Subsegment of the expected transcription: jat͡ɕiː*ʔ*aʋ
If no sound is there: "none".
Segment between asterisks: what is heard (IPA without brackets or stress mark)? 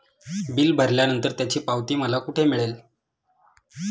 p